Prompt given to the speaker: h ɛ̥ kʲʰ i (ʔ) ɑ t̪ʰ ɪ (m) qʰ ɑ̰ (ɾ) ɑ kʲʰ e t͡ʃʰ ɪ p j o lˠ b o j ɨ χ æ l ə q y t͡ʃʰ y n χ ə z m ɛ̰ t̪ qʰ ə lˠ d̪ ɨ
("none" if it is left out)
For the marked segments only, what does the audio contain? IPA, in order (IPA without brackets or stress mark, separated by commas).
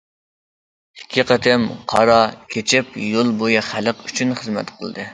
q, m, ɾ